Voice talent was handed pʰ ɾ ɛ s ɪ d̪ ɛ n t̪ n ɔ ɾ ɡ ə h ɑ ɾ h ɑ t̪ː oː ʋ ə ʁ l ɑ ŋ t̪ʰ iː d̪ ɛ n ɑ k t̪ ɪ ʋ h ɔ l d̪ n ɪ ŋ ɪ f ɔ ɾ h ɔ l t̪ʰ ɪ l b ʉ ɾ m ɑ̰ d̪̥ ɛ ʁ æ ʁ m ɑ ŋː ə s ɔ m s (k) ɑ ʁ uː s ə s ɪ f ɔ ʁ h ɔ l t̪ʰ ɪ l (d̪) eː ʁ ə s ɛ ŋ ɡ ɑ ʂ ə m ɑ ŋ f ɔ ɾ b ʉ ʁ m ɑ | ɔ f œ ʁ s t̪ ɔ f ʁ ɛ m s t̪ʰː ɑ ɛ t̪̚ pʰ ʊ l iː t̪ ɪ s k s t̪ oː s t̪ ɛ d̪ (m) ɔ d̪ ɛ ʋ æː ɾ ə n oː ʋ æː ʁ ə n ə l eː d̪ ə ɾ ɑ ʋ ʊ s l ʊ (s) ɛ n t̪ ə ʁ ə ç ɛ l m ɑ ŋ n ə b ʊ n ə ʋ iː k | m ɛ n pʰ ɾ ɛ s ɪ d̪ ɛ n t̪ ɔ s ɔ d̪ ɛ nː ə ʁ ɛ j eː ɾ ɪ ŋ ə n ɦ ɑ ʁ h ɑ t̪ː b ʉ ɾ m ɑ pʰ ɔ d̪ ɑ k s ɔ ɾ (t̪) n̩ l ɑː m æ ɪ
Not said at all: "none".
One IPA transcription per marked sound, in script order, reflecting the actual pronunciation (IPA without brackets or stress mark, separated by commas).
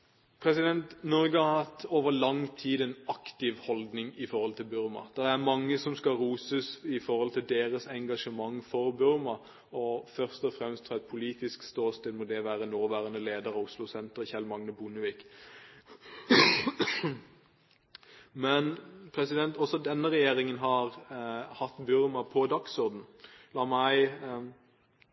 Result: k, d̪, m, s, d̪